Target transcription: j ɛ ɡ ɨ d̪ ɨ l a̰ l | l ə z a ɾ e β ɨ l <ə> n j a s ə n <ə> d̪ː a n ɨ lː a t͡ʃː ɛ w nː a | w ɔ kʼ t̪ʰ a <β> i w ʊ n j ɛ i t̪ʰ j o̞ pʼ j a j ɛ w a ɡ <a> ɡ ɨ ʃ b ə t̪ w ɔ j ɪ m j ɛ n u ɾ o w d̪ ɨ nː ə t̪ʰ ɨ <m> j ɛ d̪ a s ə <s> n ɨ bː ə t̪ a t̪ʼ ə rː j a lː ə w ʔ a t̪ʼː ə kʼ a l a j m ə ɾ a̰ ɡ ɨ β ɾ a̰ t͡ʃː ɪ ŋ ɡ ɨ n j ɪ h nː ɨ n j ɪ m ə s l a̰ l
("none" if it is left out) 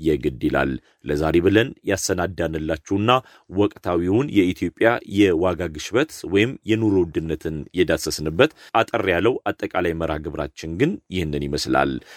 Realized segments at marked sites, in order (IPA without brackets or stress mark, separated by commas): ə, a, w, a, n, s